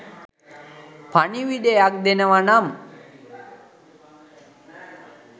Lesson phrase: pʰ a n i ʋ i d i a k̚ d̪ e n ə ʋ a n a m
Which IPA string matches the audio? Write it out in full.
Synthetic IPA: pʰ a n i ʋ i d e a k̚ d̪ e n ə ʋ a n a m